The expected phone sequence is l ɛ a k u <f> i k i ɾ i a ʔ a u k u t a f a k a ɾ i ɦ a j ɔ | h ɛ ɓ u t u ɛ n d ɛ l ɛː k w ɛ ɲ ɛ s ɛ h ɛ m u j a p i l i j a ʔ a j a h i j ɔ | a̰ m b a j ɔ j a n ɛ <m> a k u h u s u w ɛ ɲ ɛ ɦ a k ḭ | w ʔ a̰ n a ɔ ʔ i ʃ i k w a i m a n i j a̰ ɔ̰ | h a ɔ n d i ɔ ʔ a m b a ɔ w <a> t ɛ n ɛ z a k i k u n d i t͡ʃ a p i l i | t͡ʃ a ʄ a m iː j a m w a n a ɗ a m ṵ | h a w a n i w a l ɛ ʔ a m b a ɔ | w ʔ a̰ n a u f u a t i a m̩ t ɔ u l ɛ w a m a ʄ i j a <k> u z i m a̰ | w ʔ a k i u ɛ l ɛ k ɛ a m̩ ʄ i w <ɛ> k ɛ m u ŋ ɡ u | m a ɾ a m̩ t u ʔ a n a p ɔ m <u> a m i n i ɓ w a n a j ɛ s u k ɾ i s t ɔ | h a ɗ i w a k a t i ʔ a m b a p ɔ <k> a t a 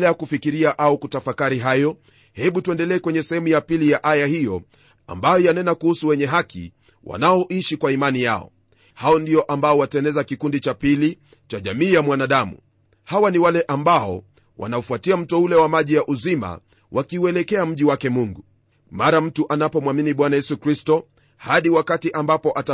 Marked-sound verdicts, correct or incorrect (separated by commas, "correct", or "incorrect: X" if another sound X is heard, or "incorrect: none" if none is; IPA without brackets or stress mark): correct, incorrect: n, correct, incorrect: ʔ, incorrect: a, incorrect: w, incorrect: ʔ